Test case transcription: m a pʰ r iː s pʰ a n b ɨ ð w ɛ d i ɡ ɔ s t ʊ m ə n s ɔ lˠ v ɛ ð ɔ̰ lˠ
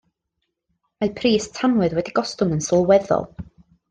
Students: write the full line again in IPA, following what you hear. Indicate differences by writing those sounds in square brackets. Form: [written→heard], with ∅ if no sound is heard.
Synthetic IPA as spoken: m a pʰ r iː s [pʰ→tʰ] a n [b→w] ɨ ð w ɛ d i ɡ ɔ s t ʊ [m→ŋ] ə n s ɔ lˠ [v→w] ɛ ð ɔ̰ lˠ